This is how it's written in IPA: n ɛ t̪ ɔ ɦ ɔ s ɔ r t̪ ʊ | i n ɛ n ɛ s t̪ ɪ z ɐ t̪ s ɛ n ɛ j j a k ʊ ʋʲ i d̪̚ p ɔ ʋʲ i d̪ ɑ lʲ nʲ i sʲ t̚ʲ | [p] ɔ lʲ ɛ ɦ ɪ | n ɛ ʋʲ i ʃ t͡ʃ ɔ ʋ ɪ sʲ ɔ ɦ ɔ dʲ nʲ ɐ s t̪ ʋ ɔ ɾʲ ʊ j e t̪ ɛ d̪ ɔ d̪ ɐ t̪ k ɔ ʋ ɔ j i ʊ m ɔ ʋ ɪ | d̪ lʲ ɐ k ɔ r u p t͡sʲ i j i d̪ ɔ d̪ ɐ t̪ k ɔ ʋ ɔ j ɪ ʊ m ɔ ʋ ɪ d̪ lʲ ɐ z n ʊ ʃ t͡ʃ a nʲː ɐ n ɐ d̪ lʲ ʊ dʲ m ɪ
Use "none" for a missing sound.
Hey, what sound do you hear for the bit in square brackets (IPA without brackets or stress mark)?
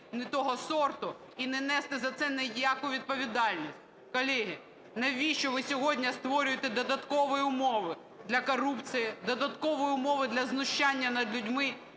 k